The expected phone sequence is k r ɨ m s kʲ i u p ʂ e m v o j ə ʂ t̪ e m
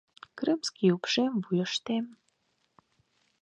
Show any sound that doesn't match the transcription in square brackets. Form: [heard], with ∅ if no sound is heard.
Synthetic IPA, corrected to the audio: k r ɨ m s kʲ i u p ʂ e m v [u] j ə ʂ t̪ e m